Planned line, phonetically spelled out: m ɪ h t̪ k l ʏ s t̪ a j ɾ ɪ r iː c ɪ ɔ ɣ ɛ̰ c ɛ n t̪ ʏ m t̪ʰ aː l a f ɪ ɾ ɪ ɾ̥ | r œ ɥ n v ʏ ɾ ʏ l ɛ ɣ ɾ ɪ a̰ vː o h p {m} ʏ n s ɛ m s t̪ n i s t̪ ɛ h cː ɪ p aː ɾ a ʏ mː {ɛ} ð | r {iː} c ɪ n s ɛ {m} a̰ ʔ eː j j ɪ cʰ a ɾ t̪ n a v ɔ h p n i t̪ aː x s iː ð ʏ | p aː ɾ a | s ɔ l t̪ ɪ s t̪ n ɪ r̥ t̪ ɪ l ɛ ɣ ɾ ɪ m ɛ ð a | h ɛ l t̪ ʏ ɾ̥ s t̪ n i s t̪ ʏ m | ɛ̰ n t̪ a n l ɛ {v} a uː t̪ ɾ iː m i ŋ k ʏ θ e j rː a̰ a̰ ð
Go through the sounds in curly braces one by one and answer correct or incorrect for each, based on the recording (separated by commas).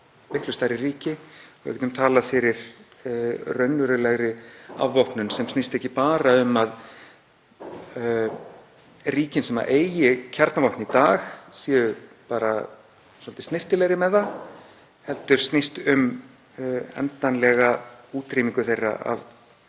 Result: incorrect, incorrect, correct, correct, incorrect